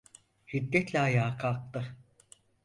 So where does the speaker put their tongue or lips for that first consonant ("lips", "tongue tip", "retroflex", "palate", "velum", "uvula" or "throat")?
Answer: throat